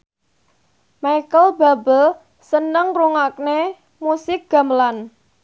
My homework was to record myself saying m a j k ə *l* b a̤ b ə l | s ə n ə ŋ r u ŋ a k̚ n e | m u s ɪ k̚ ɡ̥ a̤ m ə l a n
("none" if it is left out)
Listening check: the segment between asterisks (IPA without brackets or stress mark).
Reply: l